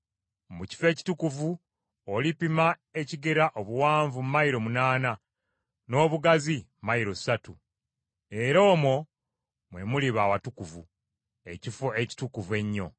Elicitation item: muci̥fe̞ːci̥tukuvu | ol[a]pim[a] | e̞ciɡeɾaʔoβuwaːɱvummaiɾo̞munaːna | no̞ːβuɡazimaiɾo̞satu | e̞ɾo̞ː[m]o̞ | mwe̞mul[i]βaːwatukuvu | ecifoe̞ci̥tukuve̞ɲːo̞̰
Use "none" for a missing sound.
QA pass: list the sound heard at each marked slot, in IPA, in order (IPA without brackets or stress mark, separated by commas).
i, a, m, i